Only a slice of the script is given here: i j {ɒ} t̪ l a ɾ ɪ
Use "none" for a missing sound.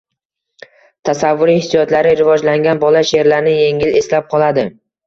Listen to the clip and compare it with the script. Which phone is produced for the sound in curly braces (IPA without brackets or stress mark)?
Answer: ɒ